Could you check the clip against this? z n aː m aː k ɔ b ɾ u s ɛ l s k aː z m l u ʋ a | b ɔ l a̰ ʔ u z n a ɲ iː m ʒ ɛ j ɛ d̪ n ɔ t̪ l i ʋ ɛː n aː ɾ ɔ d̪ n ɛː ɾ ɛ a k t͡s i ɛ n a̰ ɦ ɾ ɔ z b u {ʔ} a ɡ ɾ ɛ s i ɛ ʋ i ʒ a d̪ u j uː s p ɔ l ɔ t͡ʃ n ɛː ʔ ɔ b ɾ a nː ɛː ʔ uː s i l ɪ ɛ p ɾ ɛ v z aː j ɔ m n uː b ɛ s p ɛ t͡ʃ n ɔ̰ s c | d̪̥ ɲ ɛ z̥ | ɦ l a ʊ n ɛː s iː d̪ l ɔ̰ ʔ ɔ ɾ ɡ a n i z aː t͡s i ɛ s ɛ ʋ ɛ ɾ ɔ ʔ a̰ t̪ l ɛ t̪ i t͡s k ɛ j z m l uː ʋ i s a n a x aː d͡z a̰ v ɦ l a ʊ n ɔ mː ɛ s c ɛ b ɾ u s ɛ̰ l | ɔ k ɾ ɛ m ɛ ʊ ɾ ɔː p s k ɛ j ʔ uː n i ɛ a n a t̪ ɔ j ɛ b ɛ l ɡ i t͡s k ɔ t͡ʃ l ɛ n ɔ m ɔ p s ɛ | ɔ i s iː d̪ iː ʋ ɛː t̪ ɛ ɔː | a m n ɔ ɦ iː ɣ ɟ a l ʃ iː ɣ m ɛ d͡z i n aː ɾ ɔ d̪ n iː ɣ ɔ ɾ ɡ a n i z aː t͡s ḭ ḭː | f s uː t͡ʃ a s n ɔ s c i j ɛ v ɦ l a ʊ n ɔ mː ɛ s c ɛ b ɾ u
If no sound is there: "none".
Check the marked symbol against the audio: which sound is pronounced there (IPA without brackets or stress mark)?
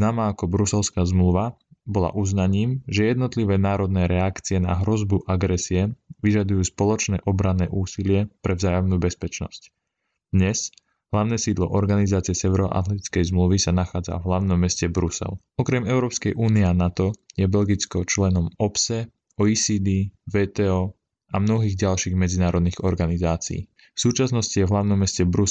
ʔ